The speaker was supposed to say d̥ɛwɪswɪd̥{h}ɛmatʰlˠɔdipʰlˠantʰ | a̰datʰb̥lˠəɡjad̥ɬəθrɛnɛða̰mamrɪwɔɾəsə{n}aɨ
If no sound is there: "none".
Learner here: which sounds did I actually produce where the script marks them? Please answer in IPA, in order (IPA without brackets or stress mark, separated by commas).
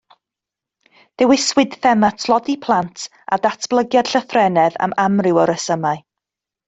θ, m